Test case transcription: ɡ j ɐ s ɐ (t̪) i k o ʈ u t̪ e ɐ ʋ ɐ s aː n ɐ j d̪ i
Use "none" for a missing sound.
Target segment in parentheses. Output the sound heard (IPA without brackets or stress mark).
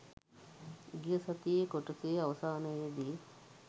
t̪